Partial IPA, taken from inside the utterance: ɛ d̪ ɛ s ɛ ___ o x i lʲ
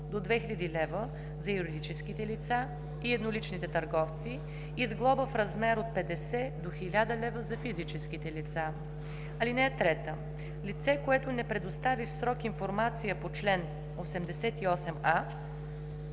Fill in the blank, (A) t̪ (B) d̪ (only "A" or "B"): B